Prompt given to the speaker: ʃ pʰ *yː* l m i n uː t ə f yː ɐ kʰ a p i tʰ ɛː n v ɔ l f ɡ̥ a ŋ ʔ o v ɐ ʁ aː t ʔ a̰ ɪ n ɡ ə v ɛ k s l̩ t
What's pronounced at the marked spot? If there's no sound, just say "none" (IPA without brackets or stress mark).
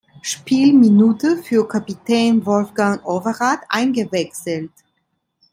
iː